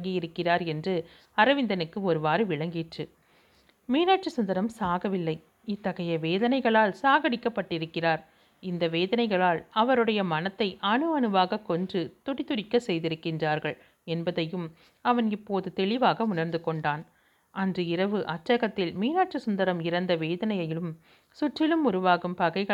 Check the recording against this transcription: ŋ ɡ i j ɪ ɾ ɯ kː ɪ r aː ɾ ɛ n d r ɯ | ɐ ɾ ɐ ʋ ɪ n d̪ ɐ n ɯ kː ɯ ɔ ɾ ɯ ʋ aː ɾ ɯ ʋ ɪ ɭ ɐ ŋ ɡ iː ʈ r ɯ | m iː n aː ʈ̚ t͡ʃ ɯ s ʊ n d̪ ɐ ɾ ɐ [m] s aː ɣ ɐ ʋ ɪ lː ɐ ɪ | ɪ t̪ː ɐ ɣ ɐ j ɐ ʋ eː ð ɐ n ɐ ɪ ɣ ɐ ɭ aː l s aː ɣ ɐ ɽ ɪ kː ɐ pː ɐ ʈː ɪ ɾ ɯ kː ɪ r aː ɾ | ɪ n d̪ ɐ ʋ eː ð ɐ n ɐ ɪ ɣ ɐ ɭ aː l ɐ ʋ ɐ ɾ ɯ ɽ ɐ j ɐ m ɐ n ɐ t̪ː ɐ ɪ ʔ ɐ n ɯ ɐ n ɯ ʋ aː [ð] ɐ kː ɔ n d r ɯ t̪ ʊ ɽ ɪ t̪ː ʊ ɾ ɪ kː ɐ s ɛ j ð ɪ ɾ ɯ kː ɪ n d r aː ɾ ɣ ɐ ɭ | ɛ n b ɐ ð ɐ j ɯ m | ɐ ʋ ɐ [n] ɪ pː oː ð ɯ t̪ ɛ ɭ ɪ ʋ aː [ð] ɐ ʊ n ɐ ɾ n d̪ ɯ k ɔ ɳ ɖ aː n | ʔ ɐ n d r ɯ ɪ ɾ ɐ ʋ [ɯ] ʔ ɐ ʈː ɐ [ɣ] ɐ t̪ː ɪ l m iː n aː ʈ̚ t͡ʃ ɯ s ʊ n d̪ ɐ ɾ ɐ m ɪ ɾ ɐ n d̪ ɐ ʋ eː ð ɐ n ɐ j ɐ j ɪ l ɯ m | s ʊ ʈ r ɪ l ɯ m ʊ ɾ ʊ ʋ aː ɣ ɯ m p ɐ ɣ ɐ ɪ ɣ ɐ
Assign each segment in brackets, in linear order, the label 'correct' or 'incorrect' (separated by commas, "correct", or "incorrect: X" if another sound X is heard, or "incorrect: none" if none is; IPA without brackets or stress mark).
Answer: correct, incorrect: ɣ, correct, incorrect: ɣ, correct, correct